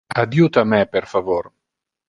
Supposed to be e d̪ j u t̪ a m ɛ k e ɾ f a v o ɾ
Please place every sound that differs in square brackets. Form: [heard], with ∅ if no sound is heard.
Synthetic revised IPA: [a] d̪ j u t̪ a m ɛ [p] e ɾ f a v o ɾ